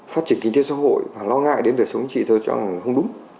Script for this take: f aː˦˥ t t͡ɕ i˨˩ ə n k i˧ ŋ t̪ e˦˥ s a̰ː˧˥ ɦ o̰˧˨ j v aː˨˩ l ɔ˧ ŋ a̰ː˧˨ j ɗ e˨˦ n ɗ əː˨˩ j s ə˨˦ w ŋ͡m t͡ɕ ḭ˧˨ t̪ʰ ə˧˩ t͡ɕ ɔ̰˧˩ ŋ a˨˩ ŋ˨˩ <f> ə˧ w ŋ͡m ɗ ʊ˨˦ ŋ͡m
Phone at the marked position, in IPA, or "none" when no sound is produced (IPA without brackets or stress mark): x